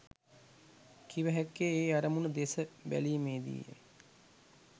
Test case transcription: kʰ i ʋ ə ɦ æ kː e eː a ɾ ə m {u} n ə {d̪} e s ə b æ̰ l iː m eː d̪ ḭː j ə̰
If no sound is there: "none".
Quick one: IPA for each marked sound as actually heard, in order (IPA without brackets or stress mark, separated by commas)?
u, d̪